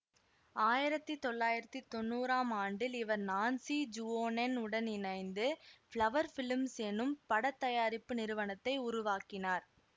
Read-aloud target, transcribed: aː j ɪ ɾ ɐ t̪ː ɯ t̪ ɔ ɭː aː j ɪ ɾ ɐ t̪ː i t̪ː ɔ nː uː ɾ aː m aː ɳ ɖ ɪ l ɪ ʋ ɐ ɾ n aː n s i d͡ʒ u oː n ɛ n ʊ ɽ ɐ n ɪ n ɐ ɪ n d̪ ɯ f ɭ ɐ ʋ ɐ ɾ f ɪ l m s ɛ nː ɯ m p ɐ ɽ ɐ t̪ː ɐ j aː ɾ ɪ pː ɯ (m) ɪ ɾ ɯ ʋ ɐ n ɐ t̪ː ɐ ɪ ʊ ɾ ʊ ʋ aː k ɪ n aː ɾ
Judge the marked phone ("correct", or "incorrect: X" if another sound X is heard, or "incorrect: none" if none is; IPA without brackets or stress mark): incorrect: n